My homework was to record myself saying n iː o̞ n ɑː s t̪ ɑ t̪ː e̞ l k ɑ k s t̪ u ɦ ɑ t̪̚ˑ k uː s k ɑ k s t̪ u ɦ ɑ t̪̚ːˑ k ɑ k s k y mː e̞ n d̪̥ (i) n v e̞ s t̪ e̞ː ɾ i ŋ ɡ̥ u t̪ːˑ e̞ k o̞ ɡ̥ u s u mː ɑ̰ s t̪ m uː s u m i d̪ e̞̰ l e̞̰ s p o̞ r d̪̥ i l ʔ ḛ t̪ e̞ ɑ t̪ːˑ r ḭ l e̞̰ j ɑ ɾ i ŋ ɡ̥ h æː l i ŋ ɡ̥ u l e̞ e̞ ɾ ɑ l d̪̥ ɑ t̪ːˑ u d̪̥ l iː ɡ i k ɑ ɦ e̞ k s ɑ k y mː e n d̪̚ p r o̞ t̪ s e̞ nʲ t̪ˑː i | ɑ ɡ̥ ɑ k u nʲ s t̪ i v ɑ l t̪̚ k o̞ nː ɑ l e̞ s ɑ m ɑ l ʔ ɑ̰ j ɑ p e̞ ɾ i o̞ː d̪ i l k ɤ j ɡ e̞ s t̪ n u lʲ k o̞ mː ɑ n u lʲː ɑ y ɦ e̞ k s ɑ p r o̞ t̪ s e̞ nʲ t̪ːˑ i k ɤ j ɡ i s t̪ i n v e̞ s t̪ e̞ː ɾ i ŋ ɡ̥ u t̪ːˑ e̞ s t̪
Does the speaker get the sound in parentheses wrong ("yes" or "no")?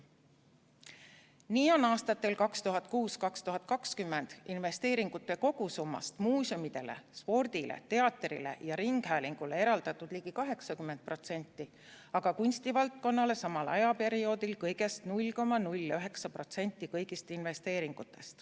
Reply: no